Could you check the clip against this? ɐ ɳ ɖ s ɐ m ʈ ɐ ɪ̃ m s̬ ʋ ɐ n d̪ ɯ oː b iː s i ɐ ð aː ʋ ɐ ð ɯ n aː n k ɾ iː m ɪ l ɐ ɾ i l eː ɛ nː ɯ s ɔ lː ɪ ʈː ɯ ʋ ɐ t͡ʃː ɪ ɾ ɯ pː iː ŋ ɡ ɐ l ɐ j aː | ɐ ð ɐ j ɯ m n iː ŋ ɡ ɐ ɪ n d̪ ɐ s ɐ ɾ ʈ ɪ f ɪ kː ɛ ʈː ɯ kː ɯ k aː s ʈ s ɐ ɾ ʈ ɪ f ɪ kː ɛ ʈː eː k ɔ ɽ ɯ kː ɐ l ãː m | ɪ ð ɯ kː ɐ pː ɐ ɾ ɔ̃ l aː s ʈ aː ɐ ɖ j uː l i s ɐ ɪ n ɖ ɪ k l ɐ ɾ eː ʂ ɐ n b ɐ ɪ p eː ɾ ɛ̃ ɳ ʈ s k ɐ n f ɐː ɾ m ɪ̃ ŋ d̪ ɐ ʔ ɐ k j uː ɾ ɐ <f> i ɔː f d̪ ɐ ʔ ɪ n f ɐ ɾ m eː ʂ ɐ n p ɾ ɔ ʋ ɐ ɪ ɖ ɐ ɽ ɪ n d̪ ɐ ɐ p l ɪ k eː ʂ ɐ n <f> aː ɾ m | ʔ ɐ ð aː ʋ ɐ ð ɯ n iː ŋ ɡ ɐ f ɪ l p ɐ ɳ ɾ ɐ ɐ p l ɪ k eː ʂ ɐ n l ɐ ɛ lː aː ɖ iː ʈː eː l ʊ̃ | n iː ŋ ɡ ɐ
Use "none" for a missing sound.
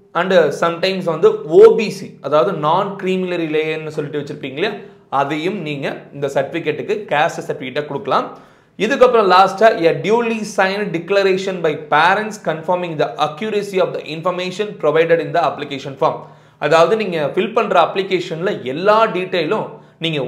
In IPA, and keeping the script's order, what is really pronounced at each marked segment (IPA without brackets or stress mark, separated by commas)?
s, f